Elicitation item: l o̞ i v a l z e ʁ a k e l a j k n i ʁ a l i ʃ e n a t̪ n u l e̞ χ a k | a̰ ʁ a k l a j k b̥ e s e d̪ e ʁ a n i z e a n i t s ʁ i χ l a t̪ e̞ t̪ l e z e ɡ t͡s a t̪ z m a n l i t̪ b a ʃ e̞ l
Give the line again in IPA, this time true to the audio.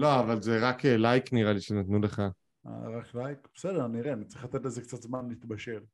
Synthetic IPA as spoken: l o̞ a v a l z e ʁ a k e l a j k n i ʁ a l i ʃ e n a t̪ n u l e̞ χ a | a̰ ʁ a k l a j k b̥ e s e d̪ e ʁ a n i ʁ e a n i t t͡s ʁ i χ l a t̪ e̞ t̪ l e z e k t͡s a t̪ z m a n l i t̪ b a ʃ e̞ l